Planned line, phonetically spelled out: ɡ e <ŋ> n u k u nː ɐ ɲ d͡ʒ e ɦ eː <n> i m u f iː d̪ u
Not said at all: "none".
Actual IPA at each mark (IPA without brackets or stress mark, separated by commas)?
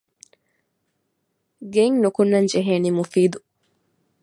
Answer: ŋ, n